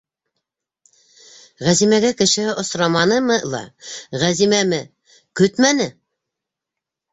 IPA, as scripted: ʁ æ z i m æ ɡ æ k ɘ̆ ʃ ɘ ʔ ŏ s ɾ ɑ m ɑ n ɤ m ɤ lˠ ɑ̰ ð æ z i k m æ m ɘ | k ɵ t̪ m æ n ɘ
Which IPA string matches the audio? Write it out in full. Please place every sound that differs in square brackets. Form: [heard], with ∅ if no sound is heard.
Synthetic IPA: ʁ æ z i m æ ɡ æ k ɘ̆ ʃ ɘ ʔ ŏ s ɾ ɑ m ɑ n ɤ m ɤ lˠ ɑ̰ [ʁ] æ z i [∅] m æ m ɘ | k ɵ t̪ m æ n ɘ